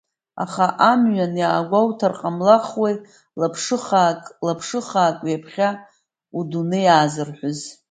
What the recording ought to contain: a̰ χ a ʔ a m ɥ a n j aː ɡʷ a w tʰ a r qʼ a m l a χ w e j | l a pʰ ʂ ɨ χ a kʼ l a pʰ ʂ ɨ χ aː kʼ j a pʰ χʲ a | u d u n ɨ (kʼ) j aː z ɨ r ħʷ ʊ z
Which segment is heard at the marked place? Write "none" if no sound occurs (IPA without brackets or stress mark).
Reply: none